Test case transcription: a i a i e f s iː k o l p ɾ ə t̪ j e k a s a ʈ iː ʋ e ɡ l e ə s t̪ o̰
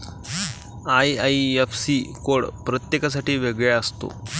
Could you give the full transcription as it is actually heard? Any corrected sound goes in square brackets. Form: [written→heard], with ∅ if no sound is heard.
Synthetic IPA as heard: a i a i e f s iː k o [l→ɽ] p ɾ ə t̪ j e k a s a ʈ iː ʋ e ɡ [l→ɭ] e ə s t̪ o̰